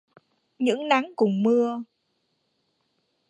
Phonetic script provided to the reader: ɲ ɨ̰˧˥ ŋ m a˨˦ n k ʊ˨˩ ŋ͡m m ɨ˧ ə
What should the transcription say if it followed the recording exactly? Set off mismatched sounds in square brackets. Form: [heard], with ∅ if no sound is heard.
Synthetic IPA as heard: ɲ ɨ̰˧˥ ŋ [n] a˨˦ [ŋ] k ʊ˨˩ ŋ͡m m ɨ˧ ə